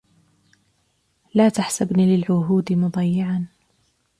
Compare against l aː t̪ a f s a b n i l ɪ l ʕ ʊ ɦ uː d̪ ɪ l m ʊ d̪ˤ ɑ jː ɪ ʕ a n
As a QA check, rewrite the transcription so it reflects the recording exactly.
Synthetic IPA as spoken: l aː t̪ a ħ s a b n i l ɪ l ʕ ʊ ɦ uː d̪ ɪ m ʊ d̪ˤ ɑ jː ɪ ʕ a n